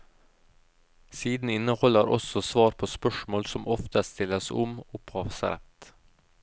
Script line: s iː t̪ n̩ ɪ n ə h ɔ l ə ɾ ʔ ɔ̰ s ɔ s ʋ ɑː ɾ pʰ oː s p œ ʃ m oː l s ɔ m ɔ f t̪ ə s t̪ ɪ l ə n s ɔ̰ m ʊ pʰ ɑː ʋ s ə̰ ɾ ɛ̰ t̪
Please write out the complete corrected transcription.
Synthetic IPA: s iː d̪ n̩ ɪ n ə h ɔ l ə ɾ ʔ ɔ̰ s ɔ s ʋ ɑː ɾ pʰ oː s p œ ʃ m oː l s ɔ m ɔ f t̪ ə s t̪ ɪ l ə s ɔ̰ m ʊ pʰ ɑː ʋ s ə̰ ɾ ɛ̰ t̪